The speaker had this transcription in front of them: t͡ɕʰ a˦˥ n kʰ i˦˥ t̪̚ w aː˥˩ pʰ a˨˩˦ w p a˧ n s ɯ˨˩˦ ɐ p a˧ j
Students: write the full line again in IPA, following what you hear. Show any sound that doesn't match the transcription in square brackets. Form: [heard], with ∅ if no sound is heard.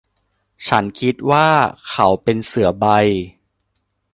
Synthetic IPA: t͡ɕʰ a˦˥ n kʰ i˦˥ t̪̚ w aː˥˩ [kʰ] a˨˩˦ w p [e˧] n s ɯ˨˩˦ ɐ [b] a˧ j